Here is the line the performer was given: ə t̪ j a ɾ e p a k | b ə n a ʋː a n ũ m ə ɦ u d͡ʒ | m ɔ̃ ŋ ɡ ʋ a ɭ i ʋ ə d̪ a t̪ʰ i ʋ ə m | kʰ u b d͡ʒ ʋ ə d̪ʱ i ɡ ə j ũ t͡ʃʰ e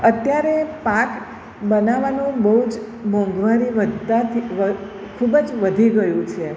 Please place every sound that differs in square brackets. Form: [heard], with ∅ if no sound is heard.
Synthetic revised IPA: ə t̪ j a ɾ e p a k | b ə n a [ʋ] a n ũ [b] ə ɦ u d͡ʒ | m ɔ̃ ŋ ɡ ʋ a [ɾ] i ʋ ə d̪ a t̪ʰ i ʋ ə [∅] | kʰ u b d͡ʒ ʋ ə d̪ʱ i ɡ ə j ũ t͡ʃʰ e

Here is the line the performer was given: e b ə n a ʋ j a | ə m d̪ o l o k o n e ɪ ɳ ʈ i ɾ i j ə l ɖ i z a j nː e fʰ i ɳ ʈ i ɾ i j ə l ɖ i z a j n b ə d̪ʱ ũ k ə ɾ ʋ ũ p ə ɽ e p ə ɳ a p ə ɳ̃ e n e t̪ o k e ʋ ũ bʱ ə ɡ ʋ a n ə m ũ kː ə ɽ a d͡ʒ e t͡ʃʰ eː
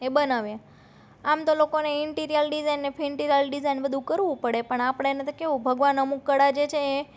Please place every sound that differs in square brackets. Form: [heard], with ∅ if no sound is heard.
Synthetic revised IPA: e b ə n a ʋ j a | [a] m [t̪] o l o k o n e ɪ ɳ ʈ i ɾ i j ə l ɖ i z a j nː e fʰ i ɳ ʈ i ɾ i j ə l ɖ i z a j n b ə d̪ʱ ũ k ə ɾ ʋ ũ p ə ɽ e p ə ɳ a p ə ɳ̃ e n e t̪ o k e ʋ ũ bʱ ə ɡ ʋ a n ə m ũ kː ə ɽ a d͡ʒ e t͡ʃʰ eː

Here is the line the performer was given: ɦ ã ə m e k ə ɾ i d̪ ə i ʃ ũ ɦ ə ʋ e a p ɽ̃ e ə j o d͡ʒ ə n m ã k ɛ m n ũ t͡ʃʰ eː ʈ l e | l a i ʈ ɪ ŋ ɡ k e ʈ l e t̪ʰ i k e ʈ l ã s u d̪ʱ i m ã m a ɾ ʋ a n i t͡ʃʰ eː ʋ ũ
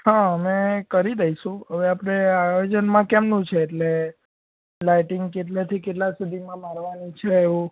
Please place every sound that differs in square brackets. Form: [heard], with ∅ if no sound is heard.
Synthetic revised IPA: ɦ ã ə m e k ə ɾ i d̪ ə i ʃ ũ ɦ ə ʋ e a p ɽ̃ e [a] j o d͡ʒ ə n m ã k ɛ m n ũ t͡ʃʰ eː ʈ l e | l a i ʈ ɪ ŋ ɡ k e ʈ l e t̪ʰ i k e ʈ l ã s u d̪ʱ i m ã m a ɾ ʋ a n i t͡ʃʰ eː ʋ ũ

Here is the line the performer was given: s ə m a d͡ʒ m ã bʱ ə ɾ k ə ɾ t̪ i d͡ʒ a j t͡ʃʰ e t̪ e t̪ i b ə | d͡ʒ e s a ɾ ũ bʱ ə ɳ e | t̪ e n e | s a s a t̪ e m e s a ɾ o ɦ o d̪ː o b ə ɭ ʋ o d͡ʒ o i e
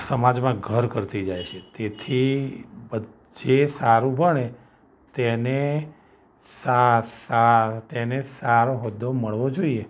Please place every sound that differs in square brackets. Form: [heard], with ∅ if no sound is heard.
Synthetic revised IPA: s ə m a d͡ʒ m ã [ɡʱ] ə ɾ k ə ɾ t̪ i d͡ʒ a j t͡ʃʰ e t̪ e [t̪ʰ] i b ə | d͡ʒ e s a ɾ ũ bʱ ə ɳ e | t̪ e n e | s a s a t̪ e [n] e s a ɾ o ɦ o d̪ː o [m] ə ɭ ʋ o d͡ʒ o i e

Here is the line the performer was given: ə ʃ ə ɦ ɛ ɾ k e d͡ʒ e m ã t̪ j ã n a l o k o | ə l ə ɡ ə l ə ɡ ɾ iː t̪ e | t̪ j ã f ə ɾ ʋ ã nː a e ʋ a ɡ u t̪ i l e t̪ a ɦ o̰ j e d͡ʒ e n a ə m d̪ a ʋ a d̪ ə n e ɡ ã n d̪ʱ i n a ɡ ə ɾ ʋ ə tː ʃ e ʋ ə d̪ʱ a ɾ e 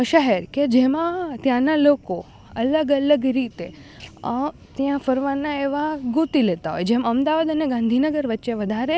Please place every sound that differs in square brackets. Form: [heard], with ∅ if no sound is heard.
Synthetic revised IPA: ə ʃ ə ɦ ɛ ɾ k e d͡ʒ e m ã t̪ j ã n a l o k o | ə l ə ɡ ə l ə ɡ ɾ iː t̪ e | t̪ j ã f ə ɾ ʋ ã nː a e ʋ a ɡ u t̪ i l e t̪ a ɦ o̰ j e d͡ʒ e [m] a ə m d̪ a ʋ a d̪ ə n e ɡ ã n d̪ʱ i n [ə] ɡ ə ɾ ʋ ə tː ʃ e ʋ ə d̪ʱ a ɾ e

